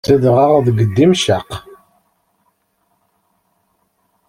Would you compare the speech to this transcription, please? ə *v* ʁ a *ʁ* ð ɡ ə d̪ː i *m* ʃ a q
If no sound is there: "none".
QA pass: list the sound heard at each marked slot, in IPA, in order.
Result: ð, ʁ, m

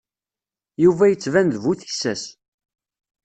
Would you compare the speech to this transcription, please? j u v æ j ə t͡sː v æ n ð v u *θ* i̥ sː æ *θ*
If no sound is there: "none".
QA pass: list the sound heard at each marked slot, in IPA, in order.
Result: θ, s

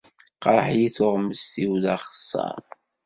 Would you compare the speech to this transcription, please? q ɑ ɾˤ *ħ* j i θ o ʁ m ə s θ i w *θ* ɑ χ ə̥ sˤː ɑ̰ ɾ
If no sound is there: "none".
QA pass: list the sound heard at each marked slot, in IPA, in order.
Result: ħ, ð

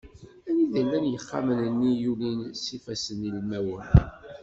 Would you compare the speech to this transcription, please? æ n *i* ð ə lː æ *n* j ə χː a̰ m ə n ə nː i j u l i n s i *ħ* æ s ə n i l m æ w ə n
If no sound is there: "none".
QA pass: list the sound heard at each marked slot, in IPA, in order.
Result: i, n, f

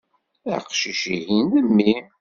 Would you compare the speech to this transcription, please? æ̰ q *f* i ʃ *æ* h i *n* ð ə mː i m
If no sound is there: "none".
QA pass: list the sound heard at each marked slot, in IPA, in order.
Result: ʃ, i, n

